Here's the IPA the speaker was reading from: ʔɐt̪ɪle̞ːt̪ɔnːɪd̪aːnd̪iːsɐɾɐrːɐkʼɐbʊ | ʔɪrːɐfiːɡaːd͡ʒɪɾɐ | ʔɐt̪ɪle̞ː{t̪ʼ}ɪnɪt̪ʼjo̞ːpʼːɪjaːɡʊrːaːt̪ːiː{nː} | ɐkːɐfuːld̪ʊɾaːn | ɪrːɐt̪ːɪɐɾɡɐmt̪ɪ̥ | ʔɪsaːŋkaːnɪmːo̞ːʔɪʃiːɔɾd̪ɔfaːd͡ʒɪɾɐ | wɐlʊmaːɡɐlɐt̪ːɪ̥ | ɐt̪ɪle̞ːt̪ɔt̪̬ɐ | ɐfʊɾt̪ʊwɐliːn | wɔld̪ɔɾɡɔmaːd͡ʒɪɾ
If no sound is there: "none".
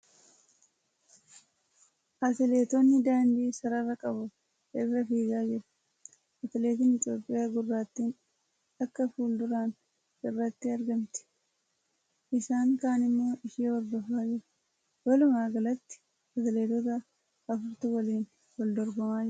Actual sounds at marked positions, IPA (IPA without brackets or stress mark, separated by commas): t̪, n